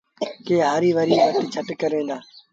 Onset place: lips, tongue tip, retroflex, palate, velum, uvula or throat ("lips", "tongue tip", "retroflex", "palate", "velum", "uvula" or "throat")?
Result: velum